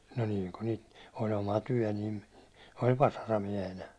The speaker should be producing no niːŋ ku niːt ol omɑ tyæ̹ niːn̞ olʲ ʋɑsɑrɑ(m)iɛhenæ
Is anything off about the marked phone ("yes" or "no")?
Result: no